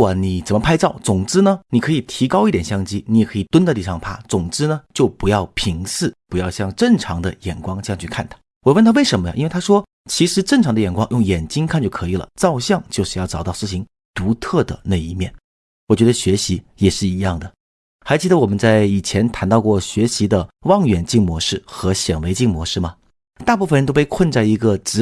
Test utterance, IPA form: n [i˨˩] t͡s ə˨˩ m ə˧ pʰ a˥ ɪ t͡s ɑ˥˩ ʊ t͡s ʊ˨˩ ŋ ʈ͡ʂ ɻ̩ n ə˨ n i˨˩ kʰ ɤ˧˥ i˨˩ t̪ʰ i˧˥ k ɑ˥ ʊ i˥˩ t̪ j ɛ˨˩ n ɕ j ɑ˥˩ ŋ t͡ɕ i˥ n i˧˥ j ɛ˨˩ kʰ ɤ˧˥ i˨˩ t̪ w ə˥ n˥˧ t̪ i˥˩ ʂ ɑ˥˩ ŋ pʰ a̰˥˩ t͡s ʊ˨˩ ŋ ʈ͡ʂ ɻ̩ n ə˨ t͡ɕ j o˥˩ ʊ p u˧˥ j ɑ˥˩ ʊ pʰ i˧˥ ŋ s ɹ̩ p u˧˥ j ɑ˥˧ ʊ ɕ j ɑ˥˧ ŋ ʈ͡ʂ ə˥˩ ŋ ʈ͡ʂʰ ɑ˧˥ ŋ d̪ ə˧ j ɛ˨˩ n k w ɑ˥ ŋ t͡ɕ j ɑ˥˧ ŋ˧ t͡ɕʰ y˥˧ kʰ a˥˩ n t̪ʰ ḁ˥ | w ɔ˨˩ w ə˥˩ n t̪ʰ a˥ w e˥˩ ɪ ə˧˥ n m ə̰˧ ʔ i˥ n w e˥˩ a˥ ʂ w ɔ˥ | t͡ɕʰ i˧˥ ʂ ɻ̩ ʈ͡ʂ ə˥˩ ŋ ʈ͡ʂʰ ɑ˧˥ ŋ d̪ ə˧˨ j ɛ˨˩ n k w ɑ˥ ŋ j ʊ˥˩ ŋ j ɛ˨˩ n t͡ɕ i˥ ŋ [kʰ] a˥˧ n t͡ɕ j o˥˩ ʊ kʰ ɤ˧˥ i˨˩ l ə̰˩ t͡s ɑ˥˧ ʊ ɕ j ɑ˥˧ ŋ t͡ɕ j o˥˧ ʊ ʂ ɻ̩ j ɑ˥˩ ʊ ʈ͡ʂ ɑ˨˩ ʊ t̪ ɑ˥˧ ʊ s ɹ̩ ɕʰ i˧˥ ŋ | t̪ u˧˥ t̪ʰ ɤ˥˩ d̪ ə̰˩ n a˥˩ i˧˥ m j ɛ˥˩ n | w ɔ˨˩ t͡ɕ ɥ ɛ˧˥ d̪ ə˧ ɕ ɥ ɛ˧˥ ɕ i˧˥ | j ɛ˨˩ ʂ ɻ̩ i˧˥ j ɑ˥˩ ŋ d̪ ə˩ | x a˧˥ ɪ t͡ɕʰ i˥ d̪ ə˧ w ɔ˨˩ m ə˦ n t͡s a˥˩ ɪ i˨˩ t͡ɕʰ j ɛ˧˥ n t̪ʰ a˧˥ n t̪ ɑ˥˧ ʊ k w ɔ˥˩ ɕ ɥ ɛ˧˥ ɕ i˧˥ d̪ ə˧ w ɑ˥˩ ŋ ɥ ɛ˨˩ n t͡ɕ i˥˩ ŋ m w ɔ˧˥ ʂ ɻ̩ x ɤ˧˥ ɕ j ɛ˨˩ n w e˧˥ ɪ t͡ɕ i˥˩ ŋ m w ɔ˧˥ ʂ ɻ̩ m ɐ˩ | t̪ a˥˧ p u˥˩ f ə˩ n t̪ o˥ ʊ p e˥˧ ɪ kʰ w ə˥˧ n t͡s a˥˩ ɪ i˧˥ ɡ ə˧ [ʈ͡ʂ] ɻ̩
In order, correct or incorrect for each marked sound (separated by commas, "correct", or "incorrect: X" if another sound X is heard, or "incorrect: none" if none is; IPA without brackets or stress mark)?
correct, correct, correct